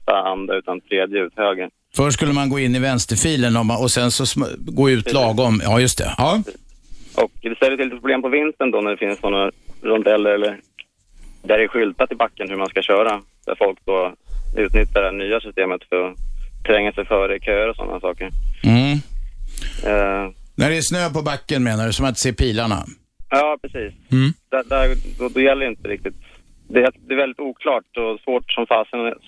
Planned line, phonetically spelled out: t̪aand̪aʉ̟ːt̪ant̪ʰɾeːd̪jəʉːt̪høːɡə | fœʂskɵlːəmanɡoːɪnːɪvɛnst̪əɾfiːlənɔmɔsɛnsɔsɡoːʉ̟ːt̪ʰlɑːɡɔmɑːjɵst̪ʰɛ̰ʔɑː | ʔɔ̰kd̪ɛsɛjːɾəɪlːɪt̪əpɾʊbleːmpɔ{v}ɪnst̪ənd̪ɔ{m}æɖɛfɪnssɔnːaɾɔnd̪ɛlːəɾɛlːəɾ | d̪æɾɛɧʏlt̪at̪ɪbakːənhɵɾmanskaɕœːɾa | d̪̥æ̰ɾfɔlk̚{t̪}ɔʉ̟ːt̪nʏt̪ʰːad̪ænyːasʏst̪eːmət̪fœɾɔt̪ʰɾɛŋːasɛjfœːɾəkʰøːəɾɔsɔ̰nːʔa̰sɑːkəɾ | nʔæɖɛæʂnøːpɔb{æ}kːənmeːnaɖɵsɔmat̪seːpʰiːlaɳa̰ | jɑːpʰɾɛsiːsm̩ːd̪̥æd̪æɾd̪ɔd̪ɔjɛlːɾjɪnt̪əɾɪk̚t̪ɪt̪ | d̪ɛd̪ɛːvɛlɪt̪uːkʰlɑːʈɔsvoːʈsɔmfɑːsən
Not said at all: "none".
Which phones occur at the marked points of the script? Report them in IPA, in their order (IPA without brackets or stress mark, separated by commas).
v, n, d̪, a